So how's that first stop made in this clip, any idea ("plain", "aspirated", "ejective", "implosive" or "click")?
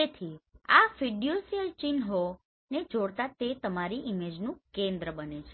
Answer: aspirated